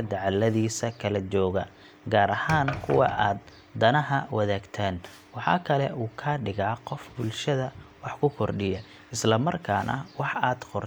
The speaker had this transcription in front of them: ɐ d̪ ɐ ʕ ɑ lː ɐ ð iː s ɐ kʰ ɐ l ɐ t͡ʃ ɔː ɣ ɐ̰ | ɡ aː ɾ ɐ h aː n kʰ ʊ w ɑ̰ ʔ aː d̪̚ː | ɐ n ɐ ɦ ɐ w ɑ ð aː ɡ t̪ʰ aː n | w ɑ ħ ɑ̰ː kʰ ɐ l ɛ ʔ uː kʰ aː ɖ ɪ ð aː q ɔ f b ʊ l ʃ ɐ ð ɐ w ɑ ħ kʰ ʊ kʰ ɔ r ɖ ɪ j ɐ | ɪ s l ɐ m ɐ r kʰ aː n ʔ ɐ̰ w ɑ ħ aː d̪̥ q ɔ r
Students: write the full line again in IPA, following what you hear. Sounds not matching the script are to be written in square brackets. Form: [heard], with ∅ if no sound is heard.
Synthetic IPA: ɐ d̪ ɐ ʕ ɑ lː ɐ ð iː s ɐ kʰ ɐ l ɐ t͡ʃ ɔː ɣ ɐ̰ | ɡ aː ɾ ɐ h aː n kʰ ʊ w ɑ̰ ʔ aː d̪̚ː | ɐ n ɐ ɦ ɐ w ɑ ð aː ɡ t̪ʰ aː n | w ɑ ħ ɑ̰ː kʰ ɐ l ɛ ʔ uː kʰ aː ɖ ɪ [ɣ] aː q ɔ f b ʊ l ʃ ɐ ð ɐ w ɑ ħ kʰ ʊ kʰ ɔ r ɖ ɪ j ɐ | ɪ s l ɐ m ɐ r kʰ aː n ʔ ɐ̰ w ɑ ħ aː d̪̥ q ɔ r